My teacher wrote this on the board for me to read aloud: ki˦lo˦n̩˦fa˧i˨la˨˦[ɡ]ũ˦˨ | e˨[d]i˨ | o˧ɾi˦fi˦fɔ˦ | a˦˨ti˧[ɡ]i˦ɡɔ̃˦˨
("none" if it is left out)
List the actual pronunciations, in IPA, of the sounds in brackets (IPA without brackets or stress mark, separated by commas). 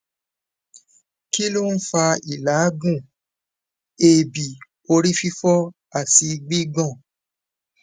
ɡ, b, ɡ͡b